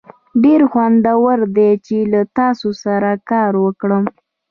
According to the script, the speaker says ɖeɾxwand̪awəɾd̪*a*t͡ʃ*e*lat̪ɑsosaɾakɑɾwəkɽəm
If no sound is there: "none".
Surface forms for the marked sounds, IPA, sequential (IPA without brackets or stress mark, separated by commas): e, e